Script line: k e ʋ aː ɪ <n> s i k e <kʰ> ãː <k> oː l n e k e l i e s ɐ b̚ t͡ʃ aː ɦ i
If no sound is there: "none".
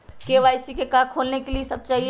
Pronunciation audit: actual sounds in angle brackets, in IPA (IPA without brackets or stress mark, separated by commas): none, k, kʰ